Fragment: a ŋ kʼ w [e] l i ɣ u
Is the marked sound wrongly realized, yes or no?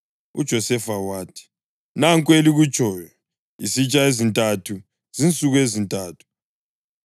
no